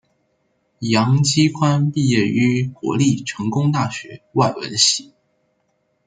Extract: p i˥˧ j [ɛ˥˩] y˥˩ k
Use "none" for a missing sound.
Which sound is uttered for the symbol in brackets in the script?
ɛ˥˩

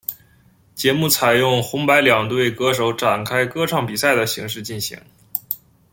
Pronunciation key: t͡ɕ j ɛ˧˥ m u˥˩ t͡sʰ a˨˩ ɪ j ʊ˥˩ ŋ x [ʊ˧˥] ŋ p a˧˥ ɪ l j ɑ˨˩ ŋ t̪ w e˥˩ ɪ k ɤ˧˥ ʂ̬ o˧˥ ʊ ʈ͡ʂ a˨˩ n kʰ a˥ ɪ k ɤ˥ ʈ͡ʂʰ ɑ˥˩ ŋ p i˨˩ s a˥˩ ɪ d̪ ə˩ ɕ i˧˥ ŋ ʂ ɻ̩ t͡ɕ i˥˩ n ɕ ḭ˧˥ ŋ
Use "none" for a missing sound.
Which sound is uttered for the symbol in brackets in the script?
ʊ˧˥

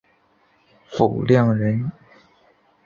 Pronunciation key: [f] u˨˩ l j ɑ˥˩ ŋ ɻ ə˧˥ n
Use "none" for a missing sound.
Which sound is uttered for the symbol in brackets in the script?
f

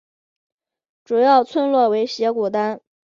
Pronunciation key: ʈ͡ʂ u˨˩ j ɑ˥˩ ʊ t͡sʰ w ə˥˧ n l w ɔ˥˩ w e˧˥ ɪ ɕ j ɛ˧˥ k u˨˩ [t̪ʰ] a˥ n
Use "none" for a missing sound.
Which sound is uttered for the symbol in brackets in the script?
t̪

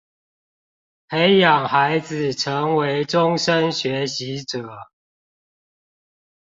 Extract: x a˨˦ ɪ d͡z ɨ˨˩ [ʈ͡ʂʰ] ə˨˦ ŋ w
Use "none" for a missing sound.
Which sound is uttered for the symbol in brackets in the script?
ʈ͡ʂʰ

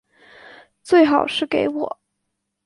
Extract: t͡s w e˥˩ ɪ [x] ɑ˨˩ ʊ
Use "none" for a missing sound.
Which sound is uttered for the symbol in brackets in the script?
x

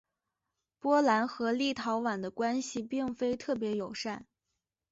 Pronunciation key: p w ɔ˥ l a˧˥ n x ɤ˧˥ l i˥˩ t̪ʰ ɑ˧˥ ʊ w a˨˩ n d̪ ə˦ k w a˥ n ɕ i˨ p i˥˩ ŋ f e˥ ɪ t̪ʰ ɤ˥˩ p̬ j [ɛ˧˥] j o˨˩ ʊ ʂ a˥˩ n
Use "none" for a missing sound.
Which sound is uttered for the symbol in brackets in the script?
ɛ˧˥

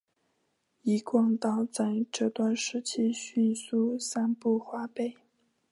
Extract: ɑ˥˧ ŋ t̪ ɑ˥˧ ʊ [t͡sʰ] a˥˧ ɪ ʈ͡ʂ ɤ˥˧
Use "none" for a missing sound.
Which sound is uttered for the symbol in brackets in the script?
t͡s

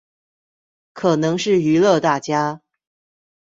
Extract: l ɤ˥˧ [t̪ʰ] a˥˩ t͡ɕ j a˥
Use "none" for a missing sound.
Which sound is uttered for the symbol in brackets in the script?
t̪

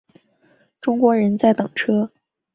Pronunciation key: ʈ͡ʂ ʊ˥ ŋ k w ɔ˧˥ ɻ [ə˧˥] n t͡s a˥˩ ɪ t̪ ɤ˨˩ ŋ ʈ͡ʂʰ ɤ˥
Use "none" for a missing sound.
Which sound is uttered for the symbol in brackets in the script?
ə˧˥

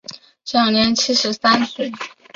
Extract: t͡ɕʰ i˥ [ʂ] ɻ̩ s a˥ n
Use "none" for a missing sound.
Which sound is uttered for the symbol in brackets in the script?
ʂ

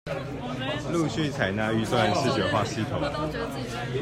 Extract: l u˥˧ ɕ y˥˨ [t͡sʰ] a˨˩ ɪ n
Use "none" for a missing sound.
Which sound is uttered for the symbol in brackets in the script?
t͡sʰ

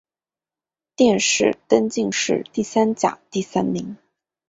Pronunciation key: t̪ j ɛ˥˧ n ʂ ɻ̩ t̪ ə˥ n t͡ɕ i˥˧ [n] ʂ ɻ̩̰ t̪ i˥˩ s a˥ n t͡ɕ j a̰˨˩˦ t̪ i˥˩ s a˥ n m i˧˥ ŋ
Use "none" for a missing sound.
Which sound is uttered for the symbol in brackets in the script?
ŋ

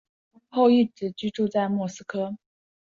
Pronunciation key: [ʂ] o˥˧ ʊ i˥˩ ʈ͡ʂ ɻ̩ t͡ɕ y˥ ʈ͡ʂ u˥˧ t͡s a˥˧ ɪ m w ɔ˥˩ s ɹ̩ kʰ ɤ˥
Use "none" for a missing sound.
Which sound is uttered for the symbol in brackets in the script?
x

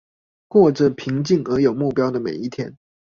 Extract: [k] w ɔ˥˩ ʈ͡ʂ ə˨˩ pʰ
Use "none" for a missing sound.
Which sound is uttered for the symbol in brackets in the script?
k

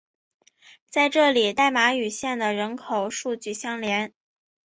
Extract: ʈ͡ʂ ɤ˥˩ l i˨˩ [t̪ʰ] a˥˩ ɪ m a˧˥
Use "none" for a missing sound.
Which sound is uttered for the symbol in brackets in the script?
t̪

